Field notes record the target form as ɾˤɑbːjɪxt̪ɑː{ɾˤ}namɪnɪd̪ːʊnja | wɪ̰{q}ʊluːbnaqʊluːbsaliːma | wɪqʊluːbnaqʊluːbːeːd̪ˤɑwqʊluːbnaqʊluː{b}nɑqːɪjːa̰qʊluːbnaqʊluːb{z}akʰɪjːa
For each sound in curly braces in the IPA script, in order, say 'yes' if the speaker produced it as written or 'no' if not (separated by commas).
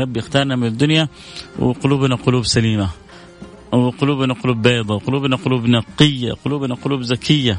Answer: yes, yes, yes, yes